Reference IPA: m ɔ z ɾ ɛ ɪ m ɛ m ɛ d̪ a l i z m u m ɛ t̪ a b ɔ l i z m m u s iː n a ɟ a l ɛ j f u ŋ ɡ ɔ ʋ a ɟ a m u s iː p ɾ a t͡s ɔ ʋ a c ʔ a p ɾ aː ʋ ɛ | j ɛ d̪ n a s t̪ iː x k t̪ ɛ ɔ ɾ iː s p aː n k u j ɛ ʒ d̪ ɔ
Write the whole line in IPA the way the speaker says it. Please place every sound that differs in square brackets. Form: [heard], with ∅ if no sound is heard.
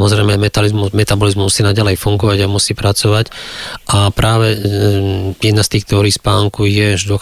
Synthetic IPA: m ɔ z ɾ ɛ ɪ m ɛ m ɛ [t̪] a l i z m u m ɛ t̪ a b ɔ l i z m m u s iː n a ɟ a l ɛ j f u ŋ ɡ ɔ ʋ a ɟ a m u s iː p ɾ a t͡s ɔ ʋ a c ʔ a p ɾ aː ʋ ɛ | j ɛ d̪ n a s t̪ iː x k t̪ ɛ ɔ ɾ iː s p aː [ŋ] k u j ɛ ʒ d̪ ɔ